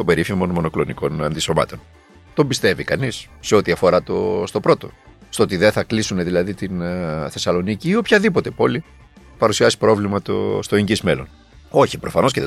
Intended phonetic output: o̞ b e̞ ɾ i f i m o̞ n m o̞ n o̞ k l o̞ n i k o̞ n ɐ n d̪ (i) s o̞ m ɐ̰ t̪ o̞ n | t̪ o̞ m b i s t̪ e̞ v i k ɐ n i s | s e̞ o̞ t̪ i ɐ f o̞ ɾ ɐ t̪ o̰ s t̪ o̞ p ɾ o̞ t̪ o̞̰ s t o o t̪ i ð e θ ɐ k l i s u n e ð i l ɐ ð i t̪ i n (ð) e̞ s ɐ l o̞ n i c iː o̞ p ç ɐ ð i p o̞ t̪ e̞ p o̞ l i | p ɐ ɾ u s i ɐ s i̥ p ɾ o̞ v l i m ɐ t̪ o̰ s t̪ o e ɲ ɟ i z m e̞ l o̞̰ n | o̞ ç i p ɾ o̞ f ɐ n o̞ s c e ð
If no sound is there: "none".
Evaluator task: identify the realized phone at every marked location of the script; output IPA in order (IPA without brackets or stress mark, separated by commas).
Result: i, θ